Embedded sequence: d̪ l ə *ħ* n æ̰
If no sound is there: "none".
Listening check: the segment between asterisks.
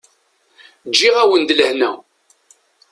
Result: h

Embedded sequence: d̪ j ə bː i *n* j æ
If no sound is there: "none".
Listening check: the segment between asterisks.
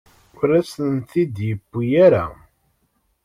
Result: none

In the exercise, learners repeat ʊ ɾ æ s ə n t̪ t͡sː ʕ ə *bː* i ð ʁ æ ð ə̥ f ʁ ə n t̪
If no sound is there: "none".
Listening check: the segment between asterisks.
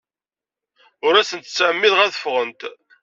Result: mː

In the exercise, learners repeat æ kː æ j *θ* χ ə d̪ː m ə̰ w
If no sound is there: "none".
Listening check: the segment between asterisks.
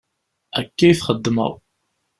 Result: θ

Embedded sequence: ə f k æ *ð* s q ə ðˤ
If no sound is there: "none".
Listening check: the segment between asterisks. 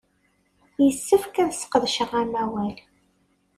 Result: ð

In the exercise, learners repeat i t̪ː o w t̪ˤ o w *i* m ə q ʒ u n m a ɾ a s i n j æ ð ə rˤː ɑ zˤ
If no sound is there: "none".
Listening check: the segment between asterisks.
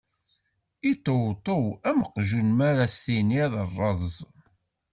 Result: æ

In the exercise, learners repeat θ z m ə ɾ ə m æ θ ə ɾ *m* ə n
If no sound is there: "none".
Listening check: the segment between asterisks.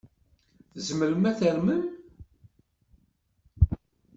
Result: m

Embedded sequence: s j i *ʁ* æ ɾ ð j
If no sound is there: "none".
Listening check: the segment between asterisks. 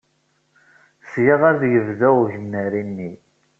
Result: ʁ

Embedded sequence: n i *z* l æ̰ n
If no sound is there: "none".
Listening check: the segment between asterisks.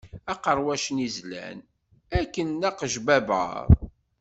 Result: z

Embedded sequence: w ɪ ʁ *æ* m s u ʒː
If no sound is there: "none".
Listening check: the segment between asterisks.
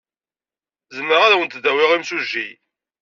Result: i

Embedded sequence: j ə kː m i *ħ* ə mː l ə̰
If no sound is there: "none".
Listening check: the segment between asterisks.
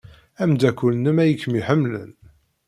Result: ħ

